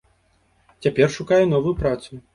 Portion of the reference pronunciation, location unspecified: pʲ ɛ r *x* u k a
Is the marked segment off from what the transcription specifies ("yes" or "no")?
yes